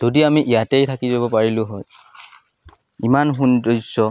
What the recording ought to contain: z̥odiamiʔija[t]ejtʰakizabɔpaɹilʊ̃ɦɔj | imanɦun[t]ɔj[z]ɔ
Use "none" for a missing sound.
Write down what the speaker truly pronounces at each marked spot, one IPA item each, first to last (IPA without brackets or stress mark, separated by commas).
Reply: t, d, s